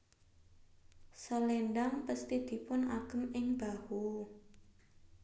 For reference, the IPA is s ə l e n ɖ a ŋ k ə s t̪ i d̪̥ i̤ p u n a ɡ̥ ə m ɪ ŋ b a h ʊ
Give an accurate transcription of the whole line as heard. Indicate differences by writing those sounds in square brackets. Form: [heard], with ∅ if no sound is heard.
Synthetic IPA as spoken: s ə l e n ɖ a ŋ [p] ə s t̪ i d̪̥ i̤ p [ʊ] n a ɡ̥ ə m ɪ ŋ b a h [u]